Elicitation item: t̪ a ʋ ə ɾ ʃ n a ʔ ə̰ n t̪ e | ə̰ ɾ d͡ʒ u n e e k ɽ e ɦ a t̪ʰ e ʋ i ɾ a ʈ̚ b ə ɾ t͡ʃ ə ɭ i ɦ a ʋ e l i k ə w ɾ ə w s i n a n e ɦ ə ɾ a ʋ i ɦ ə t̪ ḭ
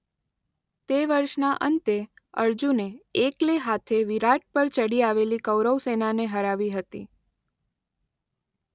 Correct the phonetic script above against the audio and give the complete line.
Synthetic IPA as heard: t̪ e ʋ ə ɾ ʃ n a ʔ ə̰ n t̪ e | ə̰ ɾ d͡ʒ u n e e k l e ɦ a t̪ʰ e ʋ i ɾ a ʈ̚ p ə ɾ t͡ʃ ə ɽ i a ʋ e l i k ə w ɾ ə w s e n a n e ɦ ə ɾ a ʋ i ɦ ə t̪ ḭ